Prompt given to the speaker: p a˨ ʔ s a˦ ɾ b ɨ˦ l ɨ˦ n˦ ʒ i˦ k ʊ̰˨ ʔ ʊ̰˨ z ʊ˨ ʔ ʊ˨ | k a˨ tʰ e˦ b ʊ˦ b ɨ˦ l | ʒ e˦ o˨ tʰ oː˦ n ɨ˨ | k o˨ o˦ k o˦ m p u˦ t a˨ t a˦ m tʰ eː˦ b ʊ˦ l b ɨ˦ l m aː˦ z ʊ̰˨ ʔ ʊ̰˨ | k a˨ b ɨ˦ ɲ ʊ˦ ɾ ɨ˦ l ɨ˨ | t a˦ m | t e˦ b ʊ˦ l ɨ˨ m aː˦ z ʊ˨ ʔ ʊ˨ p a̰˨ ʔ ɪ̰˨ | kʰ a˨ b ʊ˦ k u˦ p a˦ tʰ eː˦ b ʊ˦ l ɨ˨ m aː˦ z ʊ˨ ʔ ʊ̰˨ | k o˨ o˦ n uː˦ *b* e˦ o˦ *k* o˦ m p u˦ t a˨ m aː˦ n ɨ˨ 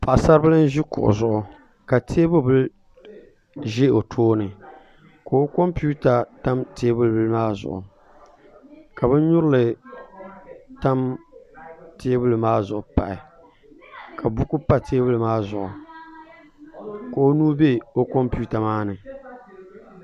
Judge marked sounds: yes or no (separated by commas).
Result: yes, yes